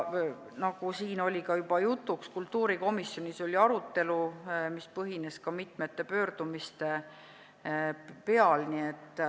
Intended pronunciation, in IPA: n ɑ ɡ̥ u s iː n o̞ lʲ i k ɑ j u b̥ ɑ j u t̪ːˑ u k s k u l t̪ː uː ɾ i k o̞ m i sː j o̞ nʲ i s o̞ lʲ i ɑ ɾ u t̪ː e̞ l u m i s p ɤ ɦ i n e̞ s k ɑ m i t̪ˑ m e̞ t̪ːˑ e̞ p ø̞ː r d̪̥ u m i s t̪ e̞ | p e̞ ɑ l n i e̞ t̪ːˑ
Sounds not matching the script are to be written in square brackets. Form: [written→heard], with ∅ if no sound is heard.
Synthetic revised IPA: n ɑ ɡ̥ u s iː n o̞ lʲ i k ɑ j u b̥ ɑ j u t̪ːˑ u k s k u l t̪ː uː ɾ i k o̞ m i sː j o̞ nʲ i s o̞ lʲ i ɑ ɾ u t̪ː e̞ l u m i s p ɤ ɦ i n e̞ s k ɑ m i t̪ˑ m e̞ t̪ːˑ e̞ p ø̞ː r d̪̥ u m i s t̪ e̞ | p e̞ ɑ l n i e̞ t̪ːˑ